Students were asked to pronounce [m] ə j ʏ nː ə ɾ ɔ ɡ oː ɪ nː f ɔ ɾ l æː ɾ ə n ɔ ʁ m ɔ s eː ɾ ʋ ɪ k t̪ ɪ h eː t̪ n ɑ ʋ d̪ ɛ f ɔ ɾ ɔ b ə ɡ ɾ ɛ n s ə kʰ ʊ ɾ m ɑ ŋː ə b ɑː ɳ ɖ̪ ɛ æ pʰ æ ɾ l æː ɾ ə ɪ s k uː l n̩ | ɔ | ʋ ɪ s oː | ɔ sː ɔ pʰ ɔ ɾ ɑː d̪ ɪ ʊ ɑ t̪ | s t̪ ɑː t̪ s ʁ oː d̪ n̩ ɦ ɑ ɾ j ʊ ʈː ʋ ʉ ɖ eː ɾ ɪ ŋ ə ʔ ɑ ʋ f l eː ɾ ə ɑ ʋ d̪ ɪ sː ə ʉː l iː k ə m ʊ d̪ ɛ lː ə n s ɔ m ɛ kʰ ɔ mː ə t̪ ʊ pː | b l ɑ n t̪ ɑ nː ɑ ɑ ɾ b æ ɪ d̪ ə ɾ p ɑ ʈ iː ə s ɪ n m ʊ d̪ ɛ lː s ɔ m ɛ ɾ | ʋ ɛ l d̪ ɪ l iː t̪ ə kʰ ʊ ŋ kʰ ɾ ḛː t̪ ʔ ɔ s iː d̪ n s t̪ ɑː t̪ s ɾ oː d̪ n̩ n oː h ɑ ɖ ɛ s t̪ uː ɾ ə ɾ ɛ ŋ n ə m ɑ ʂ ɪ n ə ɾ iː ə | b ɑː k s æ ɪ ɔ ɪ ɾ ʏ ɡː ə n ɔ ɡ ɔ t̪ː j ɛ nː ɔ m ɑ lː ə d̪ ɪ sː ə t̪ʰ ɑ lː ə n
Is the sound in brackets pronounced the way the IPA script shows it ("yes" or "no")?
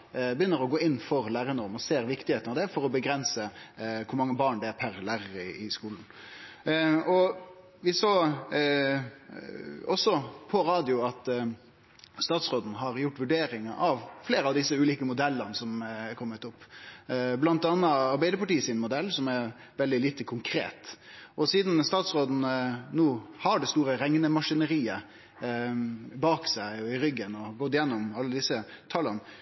no